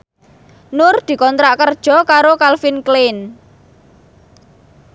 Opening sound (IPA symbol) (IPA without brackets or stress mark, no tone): n